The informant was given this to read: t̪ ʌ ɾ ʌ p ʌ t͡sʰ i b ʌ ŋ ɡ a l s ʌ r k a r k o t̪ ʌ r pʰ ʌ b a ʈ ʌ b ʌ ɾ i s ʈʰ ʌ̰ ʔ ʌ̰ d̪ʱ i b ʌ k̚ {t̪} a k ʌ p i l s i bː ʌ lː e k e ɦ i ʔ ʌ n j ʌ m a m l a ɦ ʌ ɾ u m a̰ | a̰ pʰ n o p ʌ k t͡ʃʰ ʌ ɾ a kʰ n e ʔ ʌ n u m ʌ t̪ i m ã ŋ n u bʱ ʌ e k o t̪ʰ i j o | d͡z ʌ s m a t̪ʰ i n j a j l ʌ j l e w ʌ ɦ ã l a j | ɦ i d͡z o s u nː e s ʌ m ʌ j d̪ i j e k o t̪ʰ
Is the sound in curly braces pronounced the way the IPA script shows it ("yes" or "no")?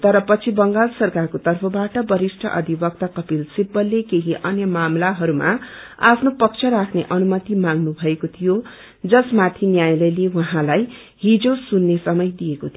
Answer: yes